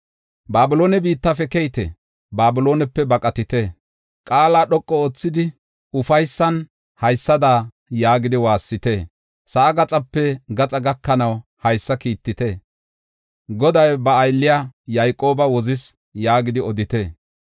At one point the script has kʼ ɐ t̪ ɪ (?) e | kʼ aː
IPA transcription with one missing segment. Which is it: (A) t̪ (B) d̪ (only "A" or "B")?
A